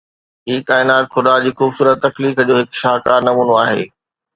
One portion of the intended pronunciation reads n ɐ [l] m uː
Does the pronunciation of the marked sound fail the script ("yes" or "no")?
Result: yes